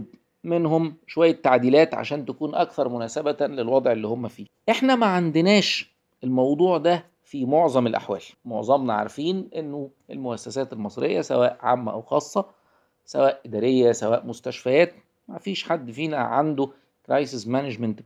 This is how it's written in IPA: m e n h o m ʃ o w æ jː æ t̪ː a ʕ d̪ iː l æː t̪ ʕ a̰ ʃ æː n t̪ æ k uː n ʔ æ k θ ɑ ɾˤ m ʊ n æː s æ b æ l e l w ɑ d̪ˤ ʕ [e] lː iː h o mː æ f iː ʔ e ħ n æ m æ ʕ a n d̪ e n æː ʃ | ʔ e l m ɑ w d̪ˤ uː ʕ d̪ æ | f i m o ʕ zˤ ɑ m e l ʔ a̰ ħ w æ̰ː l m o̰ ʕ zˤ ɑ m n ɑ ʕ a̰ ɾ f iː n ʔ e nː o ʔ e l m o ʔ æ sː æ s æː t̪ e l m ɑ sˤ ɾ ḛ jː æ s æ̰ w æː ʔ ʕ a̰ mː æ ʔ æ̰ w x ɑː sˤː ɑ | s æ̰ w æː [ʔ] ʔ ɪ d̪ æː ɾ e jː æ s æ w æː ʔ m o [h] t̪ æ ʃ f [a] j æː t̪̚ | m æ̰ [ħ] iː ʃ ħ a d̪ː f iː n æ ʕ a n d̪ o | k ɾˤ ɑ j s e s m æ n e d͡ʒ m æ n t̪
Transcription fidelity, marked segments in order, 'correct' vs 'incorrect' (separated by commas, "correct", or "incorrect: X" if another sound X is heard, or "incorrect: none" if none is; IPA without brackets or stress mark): correct, correct, incorrect: s, incorrect: æ, incorrect: f